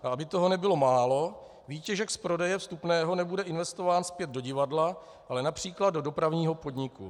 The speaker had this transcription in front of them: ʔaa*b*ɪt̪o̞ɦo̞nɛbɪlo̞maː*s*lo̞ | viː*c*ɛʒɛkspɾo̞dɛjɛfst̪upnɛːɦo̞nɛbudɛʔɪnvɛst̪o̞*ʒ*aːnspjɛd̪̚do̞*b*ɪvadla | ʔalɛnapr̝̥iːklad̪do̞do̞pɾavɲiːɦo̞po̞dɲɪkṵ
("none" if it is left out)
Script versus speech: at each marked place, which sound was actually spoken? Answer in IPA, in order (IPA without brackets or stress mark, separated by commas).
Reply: b, none, c, v, ɟ